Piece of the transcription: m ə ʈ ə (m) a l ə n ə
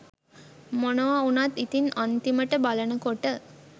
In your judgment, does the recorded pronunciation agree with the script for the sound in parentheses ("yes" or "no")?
no